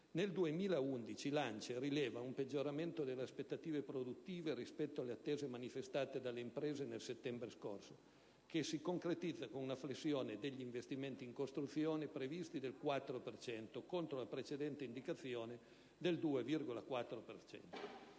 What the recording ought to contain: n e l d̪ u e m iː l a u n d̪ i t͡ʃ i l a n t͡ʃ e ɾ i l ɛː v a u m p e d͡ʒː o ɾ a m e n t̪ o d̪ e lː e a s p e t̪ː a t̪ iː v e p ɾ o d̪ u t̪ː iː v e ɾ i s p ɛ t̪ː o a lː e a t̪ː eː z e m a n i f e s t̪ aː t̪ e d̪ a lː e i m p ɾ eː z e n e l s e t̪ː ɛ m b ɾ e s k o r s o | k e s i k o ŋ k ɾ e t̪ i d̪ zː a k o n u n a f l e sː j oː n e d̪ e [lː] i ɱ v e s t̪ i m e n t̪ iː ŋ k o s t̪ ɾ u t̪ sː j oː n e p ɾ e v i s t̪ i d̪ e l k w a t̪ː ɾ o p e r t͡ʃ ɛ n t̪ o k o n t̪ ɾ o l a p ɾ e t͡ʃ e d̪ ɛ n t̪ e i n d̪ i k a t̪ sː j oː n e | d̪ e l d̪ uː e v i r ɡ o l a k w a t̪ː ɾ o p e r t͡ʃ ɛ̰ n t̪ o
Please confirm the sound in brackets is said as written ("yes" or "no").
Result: no